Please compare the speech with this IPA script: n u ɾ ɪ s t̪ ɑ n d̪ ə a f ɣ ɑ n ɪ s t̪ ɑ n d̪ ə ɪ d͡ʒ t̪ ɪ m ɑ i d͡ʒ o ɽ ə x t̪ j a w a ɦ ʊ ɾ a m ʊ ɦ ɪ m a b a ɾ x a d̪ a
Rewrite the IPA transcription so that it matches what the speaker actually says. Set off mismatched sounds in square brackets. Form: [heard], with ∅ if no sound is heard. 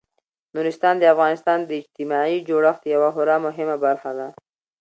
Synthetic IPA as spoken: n u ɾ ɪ s t̪ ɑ n d̪ ə a f ɣ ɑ n ɪ s t̪ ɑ n d̪ ə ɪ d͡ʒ t̪ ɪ m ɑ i d͡ʒ o ɽ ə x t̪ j a w a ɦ ʊ ɾ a m ʊ ɦ ɪ m a b a ɾ x a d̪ a